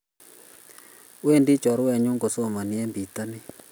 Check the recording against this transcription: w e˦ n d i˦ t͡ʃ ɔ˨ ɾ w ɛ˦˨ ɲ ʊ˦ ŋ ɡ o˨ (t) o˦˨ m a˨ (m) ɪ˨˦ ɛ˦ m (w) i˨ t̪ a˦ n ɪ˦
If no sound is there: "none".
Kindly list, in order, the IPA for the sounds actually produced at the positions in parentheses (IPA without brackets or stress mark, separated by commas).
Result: s, n, b